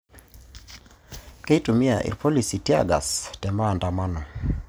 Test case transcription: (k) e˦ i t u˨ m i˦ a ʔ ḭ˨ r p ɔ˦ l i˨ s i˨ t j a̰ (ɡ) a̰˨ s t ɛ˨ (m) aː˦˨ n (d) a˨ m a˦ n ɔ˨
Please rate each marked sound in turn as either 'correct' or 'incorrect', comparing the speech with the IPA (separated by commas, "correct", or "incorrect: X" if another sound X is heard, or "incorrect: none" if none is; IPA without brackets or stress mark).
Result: correct, correct, correct, correct